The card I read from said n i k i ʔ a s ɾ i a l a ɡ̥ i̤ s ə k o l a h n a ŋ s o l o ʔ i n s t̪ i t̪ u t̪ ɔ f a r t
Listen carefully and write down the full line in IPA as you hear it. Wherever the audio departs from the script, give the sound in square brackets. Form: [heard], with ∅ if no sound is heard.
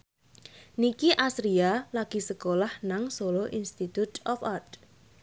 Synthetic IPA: n i k i ʔ a s ɾ i a l a ɡ̥ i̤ s ə k o l a h n a ŋ s o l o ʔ i n s t̪ i t̪ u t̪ ɔ f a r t